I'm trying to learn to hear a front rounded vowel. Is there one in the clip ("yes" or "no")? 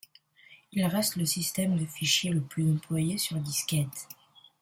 yes